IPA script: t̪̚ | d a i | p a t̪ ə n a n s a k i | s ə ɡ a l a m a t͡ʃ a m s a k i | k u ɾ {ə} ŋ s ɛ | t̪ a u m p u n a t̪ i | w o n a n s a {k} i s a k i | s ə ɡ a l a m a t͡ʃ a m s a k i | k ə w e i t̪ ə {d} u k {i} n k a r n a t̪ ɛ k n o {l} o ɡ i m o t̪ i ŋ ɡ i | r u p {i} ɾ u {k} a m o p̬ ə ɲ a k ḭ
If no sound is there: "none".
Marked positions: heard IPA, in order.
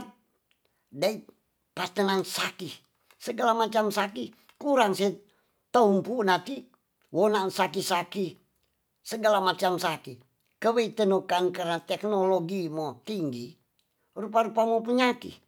a, k, n, a, l, a, p

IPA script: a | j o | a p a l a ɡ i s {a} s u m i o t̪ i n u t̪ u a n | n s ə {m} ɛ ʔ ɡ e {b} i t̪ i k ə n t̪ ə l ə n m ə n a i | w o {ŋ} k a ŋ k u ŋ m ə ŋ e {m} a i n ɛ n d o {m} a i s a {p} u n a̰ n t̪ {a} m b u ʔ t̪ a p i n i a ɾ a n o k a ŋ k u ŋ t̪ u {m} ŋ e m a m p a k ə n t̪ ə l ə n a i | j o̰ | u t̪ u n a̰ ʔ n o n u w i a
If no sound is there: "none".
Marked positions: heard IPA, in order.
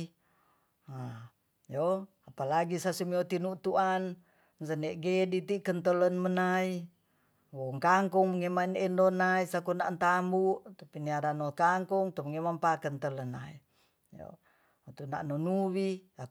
a, n, d, ŋ, m, n, k, a, m

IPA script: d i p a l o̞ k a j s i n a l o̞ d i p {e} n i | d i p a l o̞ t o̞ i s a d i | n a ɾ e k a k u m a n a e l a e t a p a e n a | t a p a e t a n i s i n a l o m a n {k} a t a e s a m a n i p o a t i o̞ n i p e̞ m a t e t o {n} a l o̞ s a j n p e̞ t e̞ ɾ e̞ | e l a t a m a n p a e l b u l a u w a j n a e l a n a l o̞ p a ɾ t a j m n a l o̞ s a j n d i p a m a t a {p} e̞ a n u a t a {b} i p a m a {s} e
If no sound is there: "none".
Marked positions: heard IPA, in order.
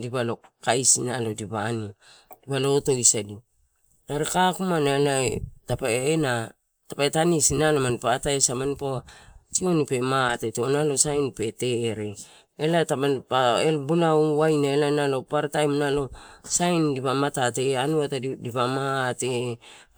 a, p, n, t, d, t

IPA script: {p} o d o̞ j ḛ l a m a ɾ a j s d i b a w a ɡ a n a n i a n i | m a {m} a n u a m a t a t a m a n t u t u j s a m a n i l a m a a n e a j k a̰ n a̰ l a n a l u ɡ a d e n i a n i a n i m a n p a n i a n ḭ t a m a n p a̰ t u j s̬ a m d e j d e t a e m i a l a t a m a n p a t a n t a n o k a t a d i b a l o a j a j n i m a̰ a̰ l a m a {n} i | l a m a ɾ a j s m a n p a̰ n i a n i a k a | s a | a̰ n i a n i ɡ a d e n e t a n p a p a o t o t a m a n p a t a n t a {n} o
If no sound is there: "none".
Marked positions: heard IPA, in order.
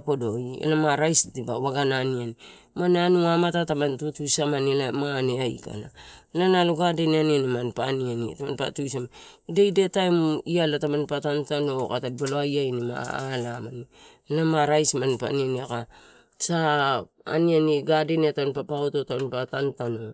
p, n, n, n

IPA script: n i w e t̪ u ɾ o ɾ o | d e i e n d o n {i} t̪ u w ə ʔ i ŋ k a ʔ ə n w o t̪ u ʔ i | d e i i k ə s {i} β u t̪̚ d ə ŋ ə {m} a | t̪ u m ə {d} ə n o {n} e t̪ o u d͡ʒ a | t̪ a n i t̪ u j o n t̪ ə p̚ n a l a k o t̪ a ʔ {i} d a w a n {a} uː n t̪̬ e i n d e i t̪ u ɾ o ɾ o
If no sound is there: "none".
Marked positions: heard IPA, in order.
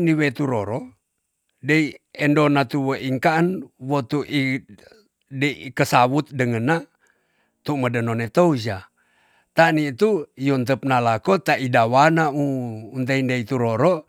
a, a, n, d, n, i, a

